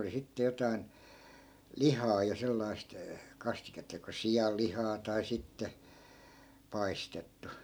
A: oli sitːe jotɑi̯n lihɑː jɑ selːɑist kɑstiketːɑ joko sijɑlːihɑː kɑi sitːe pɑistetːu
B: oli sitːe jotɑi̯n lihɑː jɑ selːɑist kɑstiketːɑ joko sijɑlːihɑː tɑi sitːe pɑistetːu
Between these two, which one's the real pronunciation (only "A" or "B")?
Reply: B